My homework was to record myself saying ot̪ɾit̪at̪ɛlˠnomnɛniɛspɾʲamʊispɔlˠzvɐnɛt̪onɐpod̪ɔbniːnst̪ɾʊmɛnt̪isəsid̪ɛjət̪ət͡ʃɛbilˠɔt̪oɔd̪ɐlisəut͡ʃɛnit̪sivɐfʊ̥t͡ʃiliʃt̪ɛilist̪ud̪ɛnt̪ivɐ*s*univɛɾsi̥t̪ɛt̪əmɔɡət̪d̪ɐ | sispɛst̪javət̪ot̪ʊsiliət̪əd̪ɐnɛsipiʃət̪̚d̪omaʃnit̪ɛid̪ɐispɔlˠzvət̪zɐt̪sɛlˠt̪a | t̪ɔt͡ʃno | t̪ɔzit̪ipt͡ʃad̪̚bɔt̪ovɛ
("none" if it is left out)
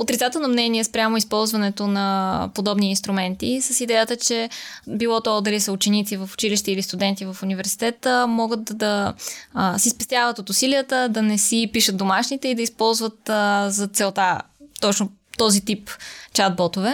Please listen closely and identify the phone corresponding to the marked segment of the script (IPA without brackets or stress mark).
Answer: f